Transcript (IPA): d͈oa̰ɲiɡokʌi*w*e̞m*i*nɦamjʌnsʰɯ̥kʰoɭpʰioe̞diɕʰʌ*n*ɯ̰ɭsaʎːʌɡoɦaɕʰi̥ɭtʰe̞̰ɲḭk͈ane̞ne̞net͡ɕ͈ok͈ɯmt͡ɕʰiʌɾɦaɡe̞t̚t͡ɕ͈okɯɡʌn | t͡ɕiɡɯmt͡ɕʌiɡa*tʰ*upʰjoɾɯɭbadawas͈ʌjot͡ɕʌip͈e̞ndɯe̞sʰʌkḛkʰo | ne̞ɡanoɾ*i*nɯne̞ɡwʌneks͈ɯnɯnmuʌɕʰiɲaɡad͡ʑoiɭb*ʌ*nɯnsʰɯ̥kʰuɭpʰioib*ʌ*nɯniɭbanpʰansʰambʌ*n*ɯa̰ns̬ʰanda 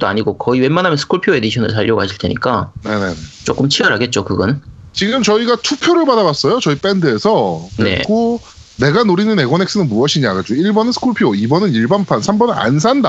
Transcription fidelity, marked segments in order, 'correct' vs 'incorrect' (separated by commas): correct, incorrect, correct, correct, correct, correct, correct, correct